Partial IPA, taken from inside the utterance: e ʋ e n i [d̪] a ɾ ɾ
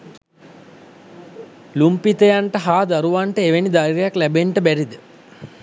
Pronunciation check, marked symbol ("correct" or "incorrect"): correct